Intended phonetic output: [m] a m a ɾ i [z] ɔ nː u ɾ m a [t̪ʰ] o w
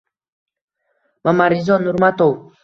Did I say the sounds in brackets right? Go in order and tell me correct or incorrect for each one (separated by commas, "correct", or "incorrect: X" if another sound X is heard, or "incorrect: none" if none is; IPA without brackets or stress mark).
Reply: correct, correct, incorrect: t̪